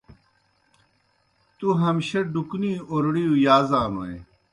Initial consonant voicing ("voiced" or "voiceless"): voiceless